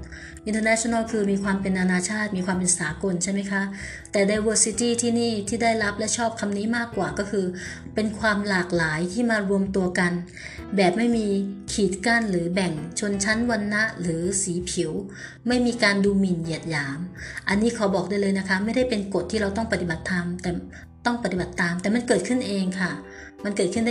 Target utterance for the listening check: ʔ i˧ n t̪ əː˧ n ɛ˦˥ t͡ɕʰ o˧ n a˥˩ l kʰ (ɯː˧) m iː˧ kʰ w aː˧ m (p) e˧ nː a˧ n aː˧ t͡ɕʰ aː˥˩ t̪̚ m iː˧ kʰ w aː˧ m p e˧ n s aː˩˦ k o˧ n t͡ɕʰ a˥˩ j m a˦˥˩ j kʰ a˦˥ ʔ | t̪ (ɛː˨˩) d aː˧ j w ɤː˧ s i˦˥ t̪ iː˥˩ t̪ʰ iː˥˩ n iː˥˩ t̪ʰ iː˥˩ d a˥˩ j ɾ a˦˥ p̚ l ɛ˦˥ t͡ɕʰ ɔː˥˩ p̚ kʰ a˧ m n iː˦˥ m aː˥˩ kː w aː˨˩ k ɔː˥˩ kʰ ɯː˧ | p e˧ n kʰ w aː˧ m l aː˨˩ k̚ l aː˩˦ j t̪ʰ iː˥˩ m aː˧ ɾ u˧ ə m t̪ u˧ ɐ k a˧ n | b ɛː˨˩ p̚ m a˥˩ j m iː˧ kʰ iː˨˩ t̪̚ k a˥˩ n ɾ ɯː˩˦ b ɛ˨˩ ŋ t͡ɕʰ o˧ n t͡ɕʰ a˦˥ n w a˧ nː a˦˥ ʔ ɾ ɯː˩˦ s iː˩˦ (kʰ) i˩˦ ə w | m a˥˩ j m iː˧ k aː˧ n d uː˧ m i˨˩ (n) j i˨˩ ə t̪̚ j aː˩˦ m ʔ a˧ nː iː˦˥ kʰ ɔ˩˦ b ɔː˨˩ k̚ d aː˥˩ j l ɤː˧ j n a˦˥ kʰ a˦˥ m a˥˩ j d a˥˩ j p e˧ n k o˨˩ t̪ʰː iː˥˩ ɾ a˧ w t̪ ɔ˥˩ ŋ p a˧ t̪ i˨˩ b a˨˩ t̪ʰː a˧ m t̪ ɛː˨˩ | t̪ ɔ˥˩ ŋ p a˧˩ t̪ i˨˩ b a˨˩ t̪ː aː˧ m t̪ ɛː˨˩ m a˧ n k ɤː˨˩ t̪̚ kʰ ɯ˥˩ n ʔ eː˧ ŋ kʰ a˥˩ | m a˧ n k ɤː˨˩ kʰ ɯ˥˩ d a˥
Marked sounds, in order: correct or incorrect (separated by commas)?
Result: correct, correct, correct, incorrect, correct